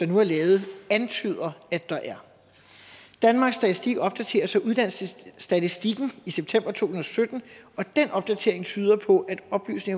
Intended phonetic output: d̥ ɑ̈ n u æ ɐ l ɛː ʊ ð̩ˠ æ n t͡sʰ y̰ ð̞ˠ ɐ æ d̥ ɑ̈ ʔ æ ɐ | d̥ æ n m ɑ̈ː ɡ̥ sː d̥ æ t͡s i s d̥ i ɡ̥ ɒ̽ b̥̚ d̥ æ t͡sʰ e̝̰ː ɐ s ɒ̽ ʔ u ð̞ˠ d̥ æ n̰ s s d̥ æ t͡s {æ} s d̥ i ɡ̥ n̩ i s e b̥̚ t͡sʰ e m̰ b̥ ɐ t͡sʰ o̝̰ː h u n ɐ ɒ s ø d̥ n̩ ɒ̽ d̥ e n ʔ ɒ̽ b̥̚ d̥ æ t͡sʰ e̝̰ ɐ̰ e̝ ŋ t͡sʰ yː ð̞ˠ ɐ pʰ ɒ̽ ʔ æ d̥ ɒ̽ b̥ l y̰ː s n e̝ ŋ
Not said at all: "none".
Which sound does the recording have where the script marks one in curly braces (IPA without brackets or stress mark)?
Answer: i